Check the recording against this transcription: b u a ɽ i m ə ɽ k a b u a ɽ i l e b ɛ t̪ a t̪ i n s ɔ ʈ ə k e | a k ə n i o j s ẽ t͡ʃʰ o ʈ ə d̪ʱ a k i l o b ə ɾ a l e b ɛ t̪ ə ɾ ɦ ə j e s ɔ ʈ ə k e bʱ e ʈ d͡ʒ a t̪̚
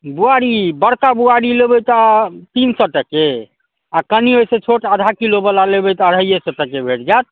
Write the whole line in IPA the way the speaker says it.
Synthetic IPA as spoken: b u a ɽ i b ə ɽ k a b u a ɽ i l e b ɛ t̪ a t̪ i n s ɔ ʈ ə k e | a k ə n i o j s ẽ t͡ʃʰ o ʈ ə d̪ʱ a k i l o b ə l a l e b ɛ t̪ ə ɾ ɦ ə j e s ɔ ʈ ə k e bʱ e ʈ d͡ʒ a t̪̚